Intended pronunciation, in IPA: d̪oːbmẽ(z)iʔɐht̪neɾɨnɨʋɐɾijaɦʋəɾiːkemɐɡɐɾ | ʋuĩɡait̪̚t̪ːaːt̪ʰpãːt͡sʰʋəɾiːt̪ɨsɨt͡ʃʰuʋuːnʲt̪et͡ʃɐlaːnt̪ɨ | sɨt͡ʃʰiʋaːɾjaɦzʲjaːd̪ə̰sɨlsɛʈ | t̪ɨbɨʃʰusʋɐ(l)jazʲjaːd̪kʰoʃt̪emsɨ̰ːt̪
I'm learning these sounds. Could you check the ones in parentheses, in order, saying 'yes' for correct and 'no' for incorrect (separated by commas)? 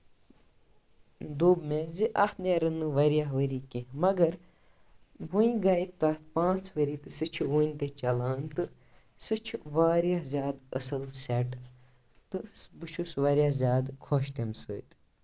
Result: yes, no